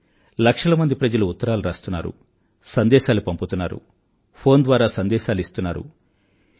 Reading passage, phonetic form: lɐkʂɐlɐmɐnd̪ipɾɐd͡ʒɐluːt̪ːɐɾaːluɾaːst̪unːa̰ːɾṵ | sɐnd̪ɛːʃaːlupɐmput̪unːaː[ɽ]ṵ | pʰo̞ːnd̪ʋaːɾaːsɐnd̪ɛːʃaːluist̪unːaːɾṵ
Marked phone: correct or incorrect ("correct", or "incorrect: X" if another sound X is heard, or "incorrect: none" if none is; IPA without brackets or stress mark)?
incorrect: ɾ